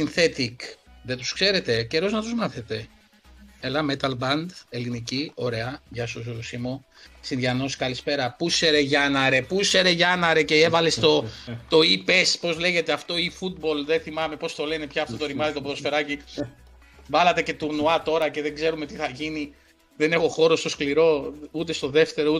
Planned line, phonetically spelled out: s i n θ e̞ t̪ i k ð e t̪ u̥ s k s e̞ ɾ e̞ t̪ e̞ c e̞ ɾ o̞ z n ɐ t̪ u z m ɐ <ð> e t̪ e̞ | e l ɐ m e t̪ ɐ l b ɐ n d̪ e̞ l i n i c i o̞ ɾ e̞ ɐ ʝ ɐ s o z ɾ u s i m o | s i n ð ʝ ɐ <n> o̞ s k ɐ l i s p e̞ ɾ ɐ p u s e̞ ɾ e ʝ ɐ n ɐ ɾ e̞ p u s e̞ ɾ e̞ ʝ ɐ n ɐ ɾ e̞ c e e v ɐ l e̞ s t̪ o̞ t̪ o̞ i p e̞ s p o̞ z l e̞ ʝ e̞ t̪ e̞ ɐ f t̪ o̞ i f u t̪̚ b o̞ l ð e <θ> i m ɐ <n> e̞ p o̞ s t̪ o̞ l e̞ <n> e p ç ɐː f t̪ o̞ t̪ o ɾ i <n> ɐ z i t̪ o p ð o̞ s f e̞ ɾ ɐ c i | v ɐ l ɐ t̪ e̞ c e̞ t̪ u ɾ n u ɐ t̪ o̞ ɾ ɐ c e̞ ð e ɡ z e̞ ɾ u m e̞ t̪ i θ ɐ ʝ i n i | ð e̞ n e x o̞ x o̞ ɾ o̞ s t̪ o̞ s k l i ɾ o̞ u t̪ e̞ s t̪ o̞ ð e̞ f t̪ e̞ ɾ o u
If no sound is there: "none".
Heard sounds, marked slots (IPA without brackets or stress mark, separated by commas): θ, n, θ, m, n, m